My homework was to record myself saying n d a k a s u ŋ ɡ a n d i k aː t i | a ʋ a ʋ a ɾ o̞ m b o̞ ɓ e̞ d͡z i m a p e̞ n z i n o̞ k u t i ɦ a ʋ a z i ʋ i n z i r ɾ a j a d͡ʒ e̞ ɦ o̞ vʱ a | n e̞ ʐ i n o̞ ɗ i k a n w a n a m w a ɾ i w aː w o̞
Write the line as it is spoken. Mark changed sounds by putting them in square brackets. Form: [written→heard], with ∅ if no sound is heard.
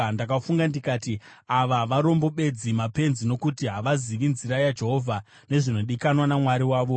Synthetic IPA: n d a k a [s→f] u ŋ ɡ a n d i k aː t i | a ʋ a ʋ a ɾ o̞ m b o̞ ɓ e̞ d͡z i m a p e̞ n z i n o̞ k u t i ɦ a ʋ a z i ʋ i n z i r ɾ a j a d͡ʒ e̞ ɦ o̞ vʱ a | n e̞ ʐ i n o̞ ɗ i k a n w a n a m w a ɾ i w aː [w→ʋ] o̞